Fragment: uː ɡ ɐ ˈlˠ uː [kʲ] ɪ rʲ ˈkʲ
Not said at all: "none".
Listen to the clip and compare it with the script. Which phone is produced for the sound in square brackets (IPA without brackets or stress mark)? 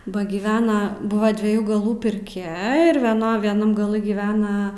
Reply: pʲ